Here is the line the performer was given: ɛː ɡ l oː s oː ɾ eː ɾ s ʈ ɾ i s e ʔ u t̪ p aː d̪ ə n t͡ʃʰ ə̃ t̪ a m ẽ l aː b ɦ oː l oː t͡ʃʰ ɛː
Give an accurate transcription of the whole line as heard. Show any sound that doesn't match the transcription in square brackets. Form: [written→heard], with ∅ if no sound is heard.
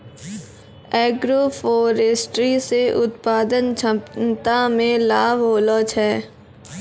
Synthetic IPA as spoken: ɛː ɡ [l→ɾ] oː [s→f] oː ɾ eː [ɾ→∅] s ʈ ɾ i s e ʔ [u→ʊ] t̪ p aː d̪ ə n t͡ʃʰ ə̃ t̪ a m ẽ l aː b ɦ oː l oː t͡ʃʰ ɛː